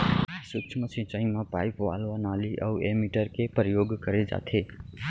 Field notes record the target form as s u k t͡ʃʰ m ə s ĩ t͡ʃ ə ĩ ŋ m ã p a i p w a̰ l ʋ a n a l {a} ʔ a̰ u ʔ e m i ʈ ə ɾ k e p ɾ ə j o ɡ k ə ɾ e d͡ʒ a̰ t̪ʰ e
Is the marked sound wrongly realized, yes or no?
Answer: yes